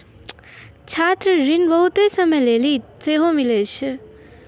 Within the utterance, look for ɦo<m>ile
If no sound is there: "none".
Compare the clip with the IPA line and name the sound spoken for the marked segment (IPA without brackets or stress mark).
m